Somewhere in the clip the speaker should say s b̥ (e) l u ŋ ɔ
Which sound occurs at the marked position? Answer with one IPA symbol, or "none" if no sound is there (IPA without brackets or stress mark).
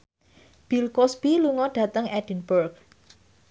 i